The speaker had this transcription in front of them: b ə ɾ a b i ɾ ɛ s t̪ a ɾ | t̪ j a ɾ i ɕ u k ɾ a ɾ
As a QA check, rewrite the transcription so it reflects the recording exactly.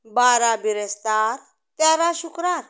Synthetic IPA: b a ɾ a b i ɾ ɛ s t̪ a ɾ | t̪ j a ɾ a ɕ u k ɾ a ɾ